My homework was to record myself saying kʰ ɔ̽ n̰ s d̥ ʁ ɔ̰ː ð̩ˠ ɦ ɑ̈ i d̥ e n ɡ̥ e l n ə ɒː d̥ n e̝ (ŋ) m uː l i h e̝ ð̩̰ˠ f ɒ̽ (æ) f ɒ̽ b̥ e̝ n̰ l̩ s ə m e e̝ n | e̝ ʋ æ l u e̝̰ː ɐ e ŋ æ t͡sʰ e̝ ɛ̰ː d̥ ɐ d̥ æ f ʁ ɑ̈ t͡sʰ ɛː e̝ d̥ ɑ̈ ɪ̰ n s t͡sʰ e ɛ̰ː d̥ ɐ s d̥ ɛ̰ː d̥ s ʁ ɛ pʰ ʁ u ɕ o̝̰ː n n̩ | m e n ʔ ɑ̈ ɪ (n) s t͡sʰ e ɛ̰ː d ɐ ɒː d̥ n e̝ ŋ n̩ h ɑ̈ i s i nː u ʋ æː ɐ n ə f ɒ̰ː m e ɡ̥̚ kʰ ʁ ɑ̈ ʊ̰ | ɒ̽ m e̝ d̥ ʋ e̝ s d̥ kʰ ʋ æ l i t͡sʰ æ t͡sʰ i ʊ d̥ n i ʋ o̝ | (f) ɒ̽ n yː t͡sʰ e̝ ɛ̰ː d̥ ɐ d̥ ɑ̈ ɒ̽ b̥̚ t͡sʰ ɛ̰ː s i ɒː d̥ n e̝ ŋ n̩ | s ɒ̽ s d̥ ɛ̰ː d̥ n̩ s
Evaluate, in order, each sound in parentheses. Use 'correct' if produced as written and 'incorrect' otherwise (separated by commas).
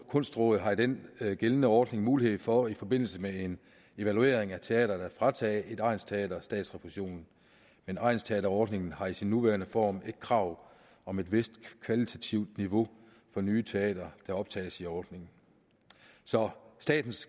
correct, incorrect, correct, correct